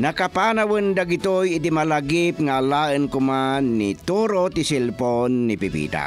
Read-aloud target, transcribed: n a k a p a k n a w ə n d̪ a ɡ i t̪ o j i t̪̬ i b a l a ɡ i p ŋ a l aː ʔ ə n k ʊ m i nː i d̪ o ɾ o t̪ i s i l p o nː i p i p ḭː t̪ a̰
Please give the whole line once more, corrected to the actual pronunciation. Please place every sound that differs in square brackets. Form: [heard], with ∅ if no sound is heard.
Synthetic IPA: n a k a p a [∅] n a w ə n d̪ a ɡ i t̪ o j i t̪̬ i [m] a l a ɡ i p ŋ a l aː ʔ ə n k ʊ m [a] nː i [t̪] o ɾ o t̪ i s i l p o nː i p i p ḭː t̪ a̰